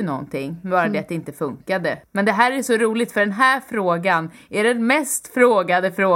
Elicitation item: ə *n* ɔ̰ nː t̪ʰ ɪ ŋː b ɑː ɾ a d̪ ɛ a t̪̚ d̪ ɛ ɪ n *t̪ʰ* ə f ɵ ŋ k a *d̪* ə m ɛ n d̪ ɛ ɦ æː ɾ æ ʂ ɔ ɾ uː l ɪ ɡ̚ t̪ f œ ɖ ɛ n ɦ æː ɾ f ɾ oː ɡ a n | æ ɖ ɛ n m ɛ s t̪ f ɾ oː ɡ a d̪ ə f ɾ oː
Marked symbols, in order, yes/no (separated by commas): yes, no, yes